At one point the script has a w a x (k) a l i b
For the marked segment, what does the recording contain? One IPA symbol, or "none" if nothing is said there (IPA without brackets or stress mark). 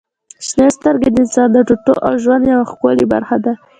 k